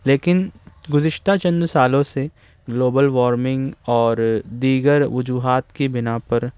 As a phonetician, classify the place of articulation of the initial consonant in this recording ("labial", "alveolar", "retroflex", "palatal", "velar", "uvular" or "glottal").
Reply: alveolar